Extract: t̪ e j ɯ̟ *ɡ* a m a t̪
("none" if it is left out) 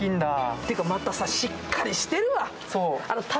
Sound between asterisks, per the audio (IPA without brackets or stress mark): k